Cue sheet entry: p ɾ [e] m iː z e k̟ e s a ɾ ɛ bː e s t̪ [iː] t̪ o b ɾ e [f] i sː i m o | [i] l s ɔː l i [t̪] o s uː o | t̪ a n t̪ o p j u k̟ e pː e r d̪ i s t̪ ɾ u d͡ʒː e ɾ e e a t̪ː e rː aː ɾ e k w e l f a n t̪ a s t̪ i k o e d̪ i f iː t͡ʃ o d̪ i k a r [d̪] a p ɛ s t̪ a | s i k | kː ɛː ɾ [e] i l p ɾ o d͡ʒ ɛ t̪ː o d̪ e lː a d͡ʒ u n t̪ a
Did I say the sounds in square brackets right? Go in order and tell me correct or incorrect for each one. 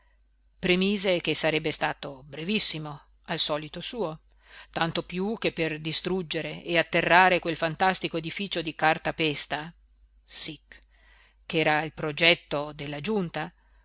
correct, incorrect: aː, incorrect: v, incorrect: a, correct, incorrect: t̪, incorrect: a

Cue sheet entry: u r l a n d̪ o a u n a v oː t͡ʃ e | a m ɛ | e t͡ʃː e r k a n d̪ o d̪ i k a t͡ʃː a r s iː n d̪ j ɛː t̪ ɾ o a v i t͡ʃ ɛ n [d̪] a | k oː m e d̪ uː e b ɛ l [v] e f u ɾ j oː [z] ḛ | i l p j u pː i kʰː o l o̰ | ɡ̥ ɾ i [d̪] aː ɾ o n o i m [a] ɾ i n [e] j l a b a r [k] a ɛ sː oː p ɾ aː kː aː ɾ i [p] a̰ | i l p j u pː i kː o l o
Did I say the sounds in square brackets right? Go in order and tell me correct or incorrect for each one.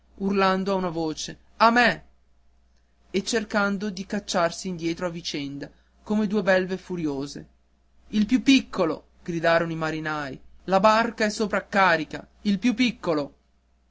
correct, correct, correct, correct, correct, incorrect: a, correct, incorrect: k

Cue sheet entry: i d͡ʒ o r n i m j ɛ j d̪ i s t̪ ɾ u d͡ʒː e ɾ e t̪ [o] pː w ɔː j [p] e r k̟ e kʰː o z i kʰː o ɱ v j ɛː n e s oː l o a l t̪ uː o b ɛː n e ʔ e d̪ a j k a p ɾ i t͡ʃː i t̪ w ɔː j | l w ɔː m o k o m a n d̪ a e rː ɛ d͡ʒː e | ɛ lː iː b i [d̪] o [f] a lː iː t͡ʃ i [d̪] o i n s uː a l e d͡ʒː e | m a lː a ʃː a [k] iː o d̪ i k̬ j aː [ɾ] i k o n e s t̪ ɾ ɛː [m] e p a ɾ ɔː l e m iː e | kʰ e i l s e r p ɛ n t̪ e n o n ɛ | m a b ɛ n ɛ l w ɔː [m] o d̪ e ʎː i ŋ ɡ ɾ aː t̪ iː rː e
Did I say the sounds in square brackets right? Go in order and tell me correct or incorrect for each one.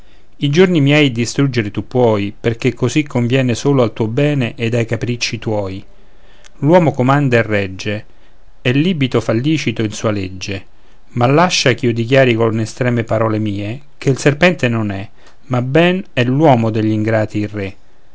incorrect: u, correct, incorrect: t̪, correct, incorrect: t̪, correct, correct, correct, correct

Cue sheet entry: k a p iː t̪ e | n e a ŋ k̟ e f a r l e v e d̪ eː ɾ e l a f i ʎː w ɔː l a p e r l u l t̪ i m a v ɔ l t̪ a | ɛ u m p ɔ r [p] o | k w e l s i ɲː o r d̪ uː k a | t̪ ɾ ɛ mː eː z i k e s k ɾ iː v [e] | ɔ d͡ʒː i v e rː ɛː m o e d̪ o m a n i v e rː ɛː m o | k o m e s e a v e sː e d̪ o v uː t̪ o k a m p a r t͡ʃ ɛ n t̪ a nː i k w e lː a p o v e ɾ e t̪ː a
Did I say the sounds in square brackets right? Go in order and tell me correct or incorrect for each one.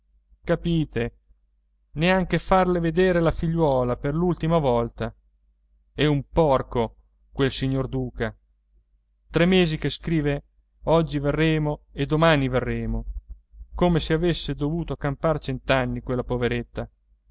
incorrect: k, correct

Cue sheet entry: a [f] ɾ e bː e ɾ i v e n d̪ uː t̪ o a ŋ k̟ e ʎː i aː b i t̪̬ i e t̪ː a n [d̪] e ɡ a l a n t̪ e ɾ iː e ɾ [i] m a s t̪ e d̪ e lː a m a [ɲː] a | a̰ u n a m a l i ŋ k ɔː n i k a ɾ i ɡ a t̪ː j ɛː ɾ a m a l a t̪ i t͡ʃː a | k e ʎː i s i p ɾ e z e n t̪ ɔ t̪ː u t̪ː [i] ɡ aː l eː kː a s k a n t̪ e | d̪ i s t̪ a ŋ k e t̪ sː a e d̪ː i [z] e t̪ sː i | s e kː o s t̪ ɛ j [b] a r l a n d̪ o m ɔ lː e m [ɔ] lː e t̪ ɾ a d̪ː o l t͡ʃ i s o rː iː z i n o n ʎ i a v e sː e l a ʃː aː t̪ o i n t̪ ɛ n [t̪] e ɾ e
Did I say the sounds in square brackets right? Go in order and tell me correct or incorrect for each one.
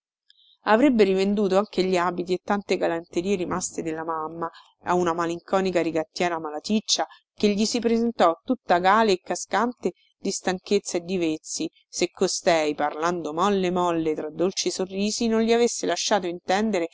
incorrect: v, incorrect: t̪, correct, incorrect: mː, incorrect: a, incorrect: v, incorrect: p, correct, incorrect: d̪

